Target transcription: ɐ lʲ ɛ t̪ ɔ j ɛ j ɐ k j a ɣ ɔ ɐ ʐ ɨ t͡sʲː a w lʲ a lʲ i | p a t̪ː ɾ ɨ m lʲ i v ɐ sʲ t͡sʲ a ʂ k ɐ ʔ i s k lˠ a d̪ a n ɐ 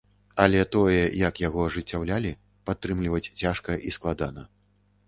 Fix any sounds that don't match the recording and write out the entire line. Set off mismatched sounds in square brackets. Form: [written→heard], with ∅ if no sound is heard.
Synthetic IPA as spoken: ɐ lʲ ɛ t̪ ɔ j ɛ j ɐ k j a ɣ ɔ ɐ ʐ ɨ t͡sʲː a w lʲ a lʲ i | p a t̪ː ɾ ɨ m lʲ i v ɐ [sʲ→t͡sʲ] t͡sʲ a ʂ k ɐ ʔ i s k lˠ a d̪ a n ɐ